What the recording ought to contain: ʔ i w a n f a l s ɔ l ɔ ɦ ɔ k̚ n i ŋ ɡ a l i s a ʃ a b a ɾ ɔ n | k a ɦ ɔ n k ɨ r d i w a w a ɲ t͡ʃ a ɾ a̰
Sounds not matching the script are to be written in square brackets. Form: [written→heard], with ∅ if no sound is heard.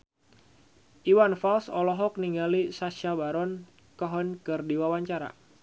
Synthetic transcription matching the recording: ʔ i w a n f a l s ɔ l ɔ ɦ ɔ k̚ n i ŋ ɡ a l i s a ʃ a b a ɾ ɔ n | k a ɦ ɔ n k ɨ r d i w a w a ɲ t͡ʃ a ɾ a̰

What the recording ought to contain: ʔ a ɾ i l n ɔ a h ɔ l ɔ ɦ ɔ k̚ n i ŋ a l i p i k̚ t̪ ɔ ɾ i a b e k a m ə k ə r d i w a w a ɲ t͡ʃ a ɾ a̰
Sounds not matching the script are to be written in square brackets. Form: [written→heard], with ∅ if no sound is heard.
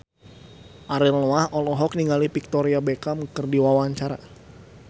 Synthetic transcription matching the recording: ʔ a ɾ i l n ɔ a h ɔ l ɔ ɦ ɔ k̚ n i ŋ a l i p i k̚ t̪ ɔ ɾ i a b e k a m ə k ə r d i w a w a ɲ t͡ʃ a ɾ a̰

